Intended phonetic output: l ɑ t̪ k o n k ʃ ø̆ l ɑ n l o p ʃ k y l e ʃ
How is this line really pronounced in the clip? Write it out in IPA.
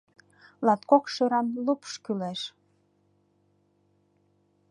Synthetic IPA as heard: l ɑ t̪ k o k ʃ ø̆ ɾ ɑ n l u p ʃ k y l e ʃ